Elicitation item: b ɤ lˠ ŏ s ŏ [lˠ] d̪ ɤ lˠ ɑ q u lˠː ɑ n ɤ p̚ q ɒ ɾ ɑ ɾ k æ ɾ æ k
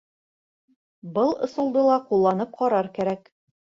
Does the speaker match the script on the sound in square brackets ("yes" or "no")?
yes